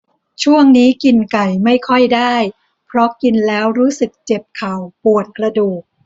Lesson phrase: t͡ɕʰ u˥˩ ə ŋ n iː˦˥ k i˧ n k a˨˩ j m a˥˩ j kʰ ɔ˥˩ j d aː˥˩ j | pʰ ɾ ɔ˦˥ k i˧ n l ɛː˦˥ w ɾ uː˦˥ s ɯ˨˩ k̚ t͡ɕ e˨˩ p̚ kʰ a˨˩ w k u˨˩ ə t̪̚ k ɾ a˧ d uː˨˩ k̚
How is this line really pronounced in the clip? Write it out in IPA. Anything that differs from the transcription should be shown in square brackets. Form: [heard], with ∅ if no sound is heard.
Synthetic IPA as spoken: t͡ɕʰ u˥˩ ə ŋ n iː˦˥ k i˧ n k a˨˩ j m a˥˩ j kʰ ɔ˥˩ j d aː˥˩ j | pʰ ɾ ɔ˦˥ k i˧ n l ɛː˦˥ w ɾ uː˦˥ s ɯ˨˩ k̚ t͡ɕ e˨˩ p̚ kʰ a˨˩ w [p] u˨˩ ə t̪̚ k ɾ a˧ d uː˨˩ k̚